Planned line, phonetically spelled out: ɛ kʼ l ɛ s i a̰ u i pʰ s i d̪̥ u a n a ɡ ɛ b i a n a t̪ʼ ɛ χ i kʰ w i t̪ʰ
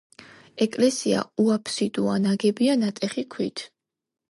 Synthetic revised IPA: ɛ kʼ l ɛ s i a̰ u a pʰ s i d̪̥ u a n a ɡ ɛ b i a n a t̪ʼ ɛ χ i kʰ w i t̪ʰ